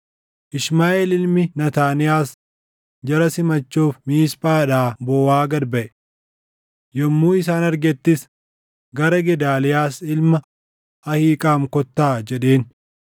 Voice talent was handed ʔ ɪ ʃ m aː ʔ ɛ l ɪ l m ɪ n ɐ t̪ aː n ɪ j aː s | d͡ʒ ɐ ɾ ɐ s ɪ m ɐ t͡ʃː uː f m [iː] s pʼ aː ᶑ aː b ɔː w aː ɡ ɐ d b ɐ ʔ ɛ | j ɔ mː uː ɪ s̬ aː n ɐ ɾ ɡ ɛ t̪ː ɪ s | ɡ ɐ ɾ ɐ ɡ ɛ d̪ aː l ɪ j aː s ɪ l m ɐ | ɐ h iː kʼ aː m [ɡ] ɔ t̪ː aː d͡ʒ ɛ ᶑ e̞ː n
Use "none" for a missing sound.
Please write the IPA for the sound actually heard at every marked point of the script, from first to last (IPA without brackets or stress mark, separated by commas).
iː, k